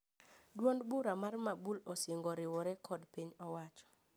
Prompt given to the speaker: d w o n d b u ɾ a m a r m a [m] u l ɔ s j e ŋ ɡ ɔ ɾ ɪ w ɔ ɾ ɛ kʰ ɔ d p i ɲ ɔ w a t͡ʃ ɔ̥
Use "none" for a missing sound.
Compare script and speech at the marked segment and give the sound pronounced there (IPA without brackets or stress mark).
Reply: b